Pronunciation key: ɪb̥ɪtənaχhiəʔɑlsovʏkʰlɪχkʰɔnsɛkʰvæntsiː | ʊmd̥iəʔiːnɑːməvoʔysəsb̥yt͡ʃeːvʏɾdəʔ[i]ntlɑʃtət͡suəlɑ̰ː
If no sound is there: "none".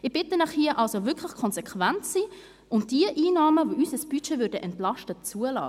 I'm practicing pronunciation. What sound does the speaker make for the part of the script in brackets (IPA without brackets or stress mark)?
ɛ